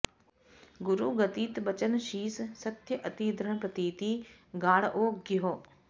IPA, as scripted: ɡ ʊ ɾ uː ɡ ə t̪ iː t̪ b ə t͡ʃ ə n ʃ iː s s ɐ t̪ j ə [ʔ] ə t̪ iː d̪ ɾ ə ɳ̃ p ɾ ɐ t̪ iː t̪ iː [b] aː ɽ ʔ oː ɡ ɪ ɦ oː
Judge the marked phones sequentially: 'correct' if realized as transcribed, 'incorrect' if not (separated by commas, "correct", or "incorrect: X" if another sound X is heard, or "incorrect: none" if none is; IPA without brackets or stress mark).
correct, incorrect: ɡ